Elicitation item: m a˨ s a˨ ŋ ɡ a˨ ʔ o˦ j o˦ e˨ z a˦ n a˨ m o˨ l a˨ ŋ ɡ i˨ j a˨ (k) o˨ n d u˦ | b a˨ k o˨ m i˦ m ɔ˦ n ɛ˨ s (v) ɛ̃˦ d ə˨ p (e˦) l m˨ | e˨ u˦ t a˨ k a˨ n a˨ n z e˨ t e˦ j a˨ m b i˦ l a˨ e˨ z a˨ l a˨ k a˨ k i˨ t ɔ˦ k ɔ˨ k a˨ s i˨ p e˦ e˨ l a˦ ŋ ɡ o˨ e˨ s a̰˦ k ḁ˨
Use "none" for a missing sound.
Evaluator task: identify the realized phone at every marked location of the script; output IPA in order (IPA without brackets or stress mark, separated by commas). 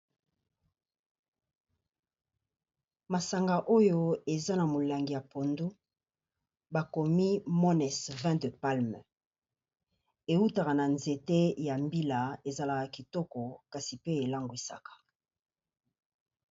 p, v, a˦